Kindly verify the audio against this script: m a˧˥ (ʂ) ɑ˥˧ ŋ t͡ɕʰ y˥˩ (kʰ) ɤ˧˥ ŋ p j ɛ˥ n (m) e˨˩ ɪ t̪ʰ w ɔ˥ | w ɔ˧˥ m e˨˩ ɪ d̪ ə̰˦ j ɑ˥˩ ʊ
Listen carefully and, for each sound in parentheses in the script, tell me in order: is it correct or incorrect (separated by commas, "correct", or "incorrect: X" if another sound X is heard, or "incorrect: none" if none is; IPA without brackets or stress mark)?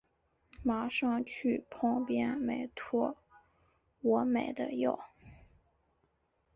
correct, incorrect: pʰ, correct